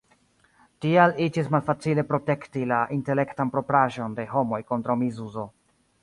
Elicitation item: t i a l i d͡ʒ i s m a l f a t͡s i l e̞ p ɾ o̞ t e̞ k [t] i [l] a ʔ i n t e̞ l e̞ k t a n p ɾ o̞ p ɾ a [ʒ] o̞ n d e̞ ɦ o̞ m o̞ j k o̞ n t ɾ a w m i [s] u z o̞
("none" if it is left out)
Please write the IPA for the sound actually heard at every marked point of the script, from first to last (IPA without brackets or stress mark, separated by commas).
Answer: t, l, ʒ, z